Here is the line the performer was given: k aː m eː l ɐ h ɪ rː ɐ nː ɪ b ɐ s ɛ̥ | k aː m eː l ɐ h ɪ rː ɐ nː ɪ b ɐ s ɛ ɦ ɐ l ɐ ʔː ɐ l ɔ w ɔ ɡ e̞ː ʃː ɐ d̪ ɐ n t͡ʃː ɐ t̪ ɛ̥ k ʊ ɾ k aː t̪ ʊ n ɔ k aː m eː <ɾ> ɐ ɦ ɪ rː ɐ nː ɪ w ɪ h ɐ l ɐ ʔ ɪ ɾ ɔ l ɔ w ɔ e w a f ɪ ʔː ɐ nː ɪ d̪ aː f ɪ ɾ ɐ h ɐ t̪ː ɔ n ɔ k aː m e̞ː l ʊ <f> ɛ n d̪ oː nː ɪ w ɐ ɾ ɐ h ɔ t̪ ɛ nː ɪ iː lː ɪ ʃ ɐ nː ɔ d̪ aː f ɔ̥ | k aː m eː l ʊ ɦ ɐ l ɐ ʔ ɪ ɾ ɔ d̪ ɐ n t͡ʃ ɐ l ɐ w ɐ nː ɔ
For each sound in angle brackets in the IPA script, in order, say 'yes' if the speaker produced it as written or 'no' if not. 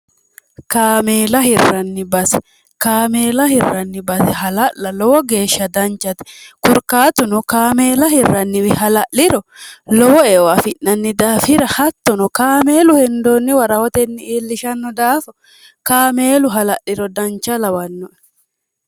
no, no

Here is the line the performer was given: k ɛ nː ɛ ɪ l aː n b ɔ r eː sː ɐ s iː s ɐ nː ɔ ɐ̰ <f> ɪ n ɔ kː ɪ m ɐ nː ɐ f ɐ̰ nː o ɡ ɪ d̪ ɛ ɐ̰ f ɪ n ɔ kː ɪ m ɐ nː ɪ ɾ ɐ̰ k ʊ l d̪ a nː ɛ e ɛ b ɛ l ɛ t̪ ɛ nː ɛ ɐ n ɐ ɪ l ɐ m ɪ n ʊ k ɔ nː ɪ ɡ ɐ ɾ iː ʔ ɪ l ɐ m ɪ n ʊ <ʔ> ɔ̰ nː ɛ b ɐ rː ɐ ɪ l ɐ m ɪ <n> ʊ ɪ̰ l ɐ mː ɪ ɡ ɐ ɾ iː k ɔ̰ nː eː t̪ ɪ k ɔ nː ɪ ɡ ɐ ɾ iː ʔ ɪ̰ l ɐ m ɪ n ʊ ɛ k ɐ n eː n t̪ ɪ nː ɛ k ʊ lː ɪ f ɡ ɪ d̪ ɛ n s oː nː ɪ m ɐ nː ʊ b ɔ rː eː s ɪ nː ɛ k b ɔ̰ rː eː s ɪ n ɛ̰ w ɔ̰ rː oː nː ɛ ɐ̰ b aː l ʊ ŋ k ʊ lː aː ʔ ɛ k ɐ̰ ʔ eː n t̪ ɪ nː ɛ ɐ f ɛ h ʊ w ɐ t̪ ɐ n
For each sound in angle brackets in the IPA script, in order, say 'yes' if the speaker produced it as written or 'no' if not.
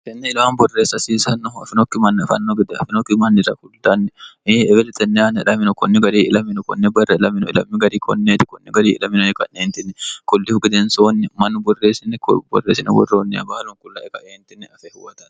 yes, no, yes

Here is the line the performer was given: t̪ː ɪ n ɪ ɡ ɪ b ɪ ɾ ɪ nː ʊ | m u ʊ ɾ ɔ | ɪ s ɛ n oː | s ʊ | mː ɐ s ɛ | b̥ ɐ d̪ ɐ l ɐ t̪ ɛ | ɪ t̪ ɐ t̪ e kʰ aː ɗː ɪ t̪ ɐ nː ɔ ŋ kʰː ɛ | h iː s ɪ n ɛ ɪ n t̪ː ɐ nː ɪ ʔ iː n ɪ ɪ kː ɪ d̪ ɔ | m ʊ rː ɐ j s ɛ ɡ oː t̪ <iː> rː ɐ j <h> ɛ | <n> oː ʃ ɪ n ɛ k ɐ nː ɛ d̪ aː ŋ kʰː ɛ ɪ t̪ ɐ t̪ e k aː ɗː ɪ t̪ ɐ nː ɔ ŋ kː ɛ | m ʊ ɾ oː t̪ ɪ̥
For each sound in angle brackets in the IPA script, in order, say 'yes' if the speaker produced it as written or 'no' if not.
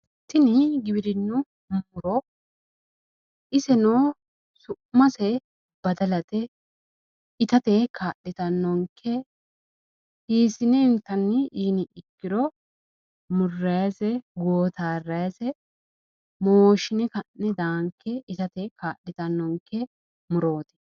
no, no, no

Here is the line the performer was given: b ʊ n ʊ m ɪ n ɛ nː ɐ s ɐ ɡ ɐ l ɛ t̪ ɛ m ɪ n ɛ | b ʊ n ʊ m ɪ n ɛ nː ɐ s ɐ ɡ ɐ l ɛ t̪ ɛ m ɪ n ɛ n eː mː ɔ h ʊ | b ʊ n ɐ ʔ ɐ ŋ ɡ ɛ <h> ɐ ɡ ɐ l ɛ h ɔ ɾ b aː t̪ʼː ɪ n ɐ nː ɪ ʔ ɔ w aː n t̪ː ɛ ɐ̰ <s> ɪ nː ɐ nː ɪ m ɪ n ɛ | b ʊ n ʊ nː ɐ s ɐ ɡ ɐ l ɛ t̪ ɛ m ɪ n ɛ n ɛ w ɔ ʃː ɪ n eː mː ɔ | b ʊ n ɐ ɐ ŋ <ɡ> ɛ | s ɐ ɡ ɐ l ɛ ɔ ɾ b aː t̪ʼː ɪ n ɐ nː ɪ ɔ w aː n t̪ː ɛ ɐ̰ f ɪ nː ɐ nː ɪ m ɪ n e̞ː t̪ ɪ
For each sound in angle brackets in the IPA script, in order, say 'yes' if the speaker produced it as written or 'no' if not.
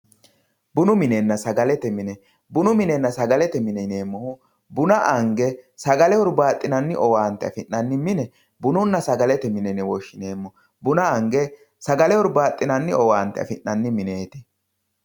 no, no, yes

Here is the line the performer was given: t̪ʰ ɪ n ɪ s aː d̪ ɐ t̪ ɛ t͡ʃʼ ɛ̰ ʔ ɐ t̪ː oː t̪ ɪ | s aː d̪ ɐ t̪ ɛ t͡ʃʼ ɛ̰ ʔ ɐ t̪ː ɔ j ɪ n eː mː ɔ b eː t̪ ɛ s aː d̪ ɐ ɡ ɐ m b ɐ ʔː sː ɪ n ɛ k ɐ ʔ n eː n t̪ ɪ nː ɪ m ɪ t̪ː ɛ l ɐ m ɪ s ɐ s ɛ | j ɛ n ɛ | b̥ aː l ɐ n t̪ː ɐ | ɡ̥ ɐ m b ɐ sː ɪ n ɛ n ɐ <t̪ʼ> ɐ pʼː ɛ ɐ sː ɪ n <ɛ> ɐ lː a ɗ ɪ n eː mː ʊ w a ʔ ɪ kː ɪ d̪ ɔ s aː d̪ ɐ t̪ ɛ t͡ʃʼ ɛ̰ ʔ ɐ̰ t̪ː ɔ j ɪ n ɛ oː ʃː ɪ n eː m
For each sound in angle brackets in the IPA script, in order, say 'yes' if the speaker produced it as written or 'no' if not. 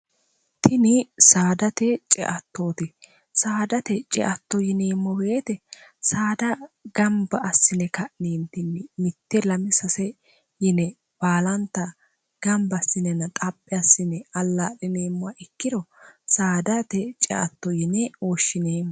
yes, yes

